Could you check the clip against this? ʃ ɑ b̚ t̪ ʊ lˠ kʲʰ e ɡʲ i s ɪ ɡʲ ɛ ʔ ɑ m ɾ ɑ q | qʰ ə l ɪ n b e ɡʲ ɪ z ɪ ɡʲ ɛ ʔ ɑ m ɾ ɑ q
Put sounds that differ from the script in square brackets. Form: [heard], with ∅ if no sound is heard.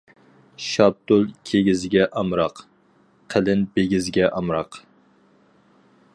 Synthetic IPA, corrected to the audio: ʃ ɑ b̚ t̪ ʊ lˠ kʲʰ e ɡʲ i [z] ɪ ɡʲ ɛ ʔ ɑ m ɾ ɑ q | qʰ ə l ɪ n b e ɡʲ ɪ z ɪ ɡʲ ɛ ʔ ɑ m ɾ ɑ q